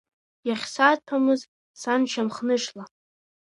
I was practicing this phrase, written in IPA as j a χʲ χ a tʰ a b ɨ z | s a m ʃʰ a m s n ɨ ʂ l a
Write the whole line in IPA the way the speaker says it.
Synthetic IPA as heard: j a χʲ s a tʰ a m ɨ z | s a n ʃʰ a m χ n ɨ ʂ l a